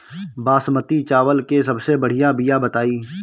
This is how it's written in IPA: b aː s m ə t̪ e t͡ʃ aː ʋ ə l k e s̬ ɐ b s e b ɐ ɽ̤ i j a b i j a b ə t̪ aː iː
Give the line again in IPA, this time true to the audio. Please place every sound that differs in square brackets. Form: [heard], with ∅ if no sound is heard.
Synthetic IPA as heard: b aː s m ə t̪ [i] t͡ʃ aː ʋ ə l k e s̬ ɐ b s e b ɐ ɽ̤ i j a b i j a b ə t̪ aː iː